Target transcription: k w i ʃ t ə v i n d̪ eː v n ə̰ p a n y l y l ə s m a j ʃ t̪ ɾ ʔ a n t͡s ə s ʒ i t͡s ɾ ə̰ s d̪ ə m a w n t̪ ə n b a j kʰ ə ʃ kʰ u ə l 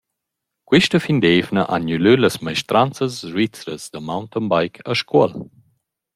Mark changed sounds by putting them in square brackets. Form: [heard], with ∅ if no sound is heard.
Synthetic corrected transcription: k w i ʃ t ə [f] i n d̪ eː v n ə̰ [ʔ] a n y l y l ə s m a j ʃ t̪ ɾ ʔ a n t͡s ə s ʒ i t͡s ɾ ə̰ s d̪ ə m a w n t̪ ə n b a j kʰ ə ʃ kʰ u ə l